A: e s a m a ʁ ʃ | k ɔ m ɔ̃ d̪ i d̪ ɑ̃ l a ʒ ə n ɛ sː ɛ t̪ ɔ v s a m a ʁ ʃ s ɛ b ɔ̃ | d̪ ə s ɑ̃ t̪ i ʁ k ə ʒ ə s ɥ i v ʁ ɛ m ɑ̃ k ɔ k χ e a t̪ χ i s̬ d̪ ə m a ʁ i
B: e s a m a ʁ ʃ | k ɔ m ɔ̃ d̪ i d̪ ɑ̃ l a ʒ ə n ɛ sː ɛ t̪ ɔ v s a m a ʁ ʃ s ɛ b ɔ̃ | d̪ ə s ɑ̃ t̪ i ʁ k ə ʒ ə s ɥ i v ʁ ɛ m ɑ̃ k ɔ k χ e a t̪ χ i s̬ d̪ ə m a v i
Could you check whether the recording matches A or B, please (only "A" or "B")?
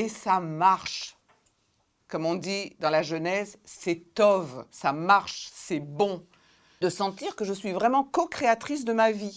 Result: B